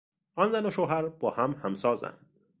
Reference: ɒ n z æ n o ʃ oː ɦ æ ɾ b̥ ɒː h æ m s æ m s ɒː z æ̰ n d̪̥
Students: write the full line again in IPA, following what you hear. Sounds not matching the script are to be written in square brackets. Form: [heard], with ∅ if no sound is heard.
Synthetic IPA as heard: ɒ n z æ n o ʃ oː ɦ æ ɾ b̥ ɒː h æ m [h] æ m s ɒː z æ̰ n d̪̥